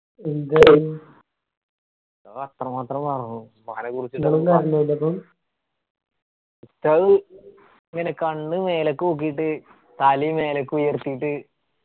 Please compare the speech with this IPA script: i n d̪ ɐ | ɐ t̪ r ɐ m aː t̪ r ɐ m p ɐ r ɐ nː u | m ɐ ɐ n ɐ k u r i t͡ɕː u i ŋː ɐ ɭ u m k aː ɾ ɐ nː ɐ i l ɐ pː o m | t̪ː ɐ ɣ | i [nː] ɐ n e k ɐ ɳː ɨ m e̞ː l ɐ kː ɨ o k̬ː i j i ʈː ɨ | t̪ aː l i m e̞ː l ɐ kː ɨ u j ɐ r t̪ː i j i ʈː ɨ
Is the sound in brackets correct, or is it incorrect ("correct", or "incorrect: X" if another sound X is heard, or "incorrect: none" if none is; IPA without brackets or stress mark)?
incorrect: ŋː